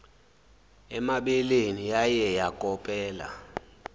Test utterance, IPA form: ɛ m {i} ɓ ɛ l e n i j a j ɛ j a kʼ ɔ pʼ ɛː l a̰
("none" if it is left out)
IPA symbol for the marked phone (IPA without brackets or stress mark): a